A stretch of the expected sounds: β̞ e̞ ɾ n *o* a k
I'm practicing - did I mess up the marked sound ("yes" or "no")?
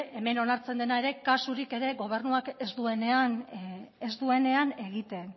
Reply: yes